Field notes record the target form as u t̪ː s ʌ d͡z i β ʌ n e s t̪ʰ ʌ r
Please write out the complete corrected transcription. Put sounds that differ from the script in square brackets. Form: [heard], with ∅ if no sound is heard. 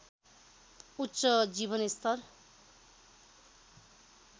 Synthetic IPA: u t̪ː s ʌ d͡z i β ʌ n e s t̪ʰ ʌ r